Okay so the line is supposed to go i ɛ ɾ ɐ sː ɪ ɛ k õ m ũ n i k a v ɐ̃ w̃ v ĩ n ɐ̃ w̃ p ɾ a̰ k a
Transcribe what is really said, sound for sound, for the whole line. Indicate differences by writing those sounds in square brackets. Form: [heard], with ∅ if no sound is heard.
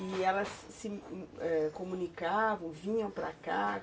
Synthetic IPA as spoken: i ɛ [l] ɐ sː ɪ ɛ k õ m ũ n i k a v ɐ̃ w̃ v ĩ [ɲ] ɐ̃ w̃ p ɾ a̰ k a

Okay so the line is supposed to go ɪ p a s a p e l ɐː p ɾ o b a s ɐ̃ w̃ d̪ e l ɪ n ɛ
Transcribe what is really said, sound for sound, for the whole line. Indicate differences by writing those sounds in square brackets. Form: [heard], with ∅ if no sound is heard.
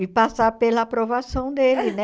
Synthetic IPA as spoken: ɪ p a s a p e l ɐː p ɾ o [v] a s ɐ̃ w̃ d̪ e l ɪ n ɛ

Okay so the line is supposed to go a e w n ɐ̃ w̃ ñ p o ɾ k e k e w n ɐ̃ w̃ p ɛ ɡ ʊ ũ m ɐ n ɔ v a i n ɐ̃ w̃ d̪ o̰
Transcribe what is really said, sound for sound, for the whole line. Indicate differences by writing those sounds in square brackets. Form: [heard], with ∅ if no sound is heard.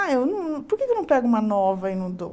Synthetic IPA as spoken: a e w n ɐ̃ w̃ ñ p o ɾ k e k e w n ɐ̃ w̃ p ɛ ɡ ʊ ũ m ɐ n ɔ v [ɐ] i n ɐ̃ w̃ d̪ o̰

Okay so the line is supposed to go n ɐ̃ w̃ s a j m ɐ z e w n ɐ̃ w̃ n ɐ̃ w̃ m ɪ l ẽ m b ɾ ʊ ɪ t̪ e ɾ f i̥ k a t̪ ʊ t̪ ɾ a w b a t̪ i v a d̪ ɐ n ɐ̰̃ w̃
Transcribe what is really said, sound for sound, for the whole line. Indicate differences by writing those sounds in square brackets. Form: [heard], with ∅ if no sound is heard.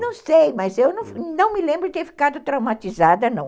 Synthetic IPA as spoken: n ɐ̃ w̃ s [e] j m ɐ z e w n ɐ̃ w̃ n ɐ̃ w̃ m ɪ l ẽ m b ɾ ʊ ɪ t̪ e ɾ f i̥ k a [d̪] ʊ t̪ ɾ a w [m] a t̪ i [z] a d̪ ɐ n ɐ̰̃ w̃

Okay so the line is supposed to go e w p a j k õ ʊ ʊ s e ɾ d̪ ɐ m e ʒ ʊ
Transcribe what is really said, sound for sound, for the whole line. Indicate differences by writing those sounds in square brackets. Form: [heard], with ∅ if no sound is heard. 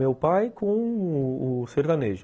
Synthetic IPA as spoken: e w p a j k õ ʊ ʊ s e ɾ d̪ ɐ [n] e ʒ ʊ

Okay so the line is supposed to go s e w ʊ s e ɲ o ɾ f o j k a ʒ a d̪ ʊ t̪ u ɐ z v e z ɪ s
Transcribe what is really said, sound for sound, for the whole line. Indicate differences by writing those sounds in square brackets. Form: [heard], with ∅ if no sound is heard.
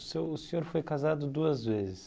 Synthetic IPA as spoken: s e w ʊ s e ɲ o ɾ f o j k a [z] a d̪ ʊ [d̪] u ɐ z v e z ɪ s

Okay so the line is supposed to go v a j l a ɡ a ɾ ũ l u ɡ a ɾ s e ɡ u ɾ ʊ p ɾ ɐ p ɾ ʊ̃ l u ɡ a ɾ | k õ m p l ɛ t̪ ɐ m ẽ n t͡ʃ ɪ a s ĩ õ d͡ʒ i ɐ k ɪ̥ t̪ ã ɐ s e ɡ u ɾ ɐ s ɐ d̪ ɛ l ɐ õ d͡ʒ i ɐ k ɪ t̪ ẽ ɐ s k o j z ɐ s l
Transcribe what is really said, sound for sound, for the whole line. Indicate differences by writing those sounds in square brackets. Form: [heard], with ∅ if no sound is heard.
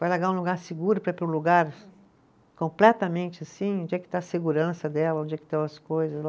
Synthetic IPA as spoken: v a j l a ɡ a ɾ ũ l u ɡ a ɾ s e ɡ u ɾ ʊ p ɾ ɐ p ɾ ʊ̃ l u ɡ a ɾ | k õ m p l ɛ t̪ ɐ m ẽ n t͡ʃ ɪ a s ĩ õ d͡ʒ i ɐ k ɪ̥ t̪ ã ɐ s e ɡ u ɾ [ɐ̃] s ɐ d̪ ɛ l ɐ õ d͡ʒ i ɐ k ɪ t̪ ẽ ɐ s k o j z ɐ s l

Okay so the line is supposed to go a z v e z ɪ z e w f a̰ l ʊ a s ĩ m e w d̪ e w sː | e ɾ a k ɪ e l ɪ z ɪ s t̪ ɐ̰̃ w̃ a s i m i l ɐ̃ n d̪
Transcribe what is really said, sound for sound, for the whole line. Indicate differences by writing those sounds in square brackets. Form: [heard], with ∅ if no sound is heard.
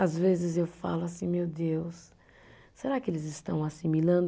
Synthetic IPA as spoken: a z v e z ɪ z e w f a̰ l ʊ a s ĩ m e w d̪ e w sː | e ɾ a k ɪ e l ɪ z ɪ s t̪ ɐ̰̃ w̃ a s i m i l ɐ̃ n d̪

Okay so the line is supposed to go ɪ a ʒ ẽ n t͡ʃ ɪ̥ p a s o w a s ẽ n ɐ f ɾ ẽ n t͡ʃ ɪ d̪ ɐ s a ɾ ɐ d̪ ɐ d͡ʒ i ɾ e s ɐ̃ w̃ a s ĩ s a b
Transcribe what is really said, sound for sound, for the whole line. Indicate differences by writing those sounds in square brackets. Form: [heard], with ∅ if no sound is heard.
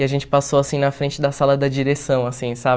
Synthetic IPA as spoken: ɪ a ʒ ẽ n t͡ʃ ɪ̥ p a s o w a s [ĩ] n ɐ f ɾ ẽ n t͡ʃ ɪ d̪ ɐ s a [l] ɐ d̪ ɐ d͡ʒ i ɾ e s ɐ̃ w̃ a s ĩ s a b

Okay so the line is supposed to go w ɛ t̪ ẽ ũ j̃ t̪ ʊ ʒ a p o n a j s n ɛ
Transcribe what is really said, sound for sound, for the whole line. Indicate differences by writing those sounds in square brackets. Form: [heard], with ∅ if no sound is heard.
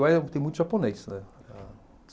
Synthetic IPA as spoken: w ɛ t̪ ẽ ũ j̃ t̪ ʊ ʒ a p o n [e] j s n ɛ

